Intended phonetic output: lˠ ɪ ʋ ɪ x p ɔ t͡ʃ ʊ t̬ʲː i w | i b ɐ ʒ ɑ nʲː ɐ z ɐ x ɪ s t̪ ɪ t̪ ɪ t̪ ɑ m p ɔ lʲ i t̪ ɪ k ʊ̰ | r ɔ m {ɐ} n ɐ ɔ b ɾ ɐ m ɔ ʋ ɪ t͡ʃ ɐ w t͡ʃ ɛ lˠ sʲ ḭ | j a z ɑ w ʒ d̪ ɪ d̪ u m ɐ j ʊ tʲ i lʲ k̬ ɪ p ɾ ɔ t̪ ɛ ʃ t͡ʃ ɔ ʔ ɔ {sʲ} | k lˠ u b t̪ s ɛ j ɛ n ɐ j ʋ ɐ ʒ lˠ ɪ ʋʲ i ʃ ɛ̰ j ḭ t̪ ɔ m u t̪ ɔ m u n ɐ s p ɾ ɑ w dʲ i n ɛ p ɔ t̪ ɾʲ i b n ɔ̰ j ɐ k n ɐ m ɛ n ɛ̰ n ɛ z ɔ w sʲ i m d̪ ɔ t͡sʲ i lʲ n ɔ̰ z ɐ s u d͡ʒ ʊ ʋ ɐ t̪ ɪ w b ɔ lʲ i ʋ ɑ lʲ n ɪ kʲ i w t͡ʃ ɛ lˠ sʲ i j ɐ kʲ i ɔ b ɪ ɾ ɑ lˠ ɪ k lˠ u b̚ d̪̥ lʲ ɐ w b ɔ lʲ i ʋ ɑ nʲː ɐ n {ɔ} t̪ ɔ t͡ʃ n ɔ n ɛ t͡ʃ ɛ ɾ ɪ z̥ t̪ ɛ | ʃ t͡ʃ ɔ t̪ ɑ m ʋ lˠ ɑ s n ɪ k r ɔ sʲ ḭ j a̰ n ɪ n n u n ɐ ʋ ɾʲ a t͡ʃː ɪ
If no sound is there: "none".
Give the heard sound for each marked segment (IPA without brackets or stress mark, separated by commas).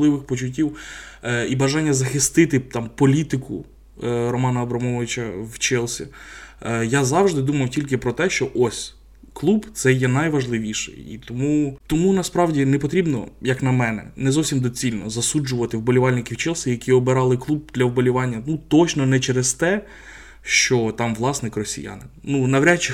ɑ, sʲ, u